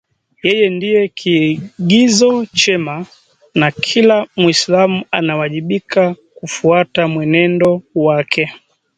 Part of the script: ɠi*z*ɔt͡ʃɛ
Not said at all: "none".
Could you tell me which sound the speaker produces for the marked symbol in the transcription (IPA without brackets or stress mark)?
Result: z